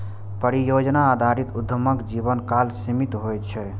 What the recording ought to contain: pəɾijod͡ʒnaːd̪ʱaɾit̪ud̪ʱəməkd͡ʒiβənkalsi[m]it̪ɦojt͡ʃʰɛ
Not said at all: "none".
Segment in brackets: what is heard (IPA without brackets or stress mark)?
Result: m